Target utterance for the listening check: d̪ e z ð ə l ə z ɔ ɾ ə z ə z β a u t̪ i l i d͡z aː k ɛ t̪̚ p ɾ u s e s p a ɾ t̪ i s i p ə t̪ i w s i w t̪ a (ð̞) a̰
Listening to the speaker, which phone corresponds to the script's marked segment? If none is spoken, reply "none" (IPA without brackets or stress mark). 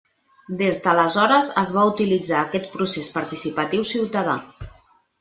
ð̞